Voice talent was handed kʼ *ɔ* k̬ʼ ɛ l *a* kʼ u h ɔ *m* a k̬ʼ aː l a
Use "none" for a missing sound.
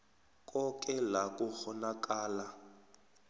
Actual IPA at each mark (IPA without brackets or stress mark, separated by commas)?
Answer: ɔ, a, n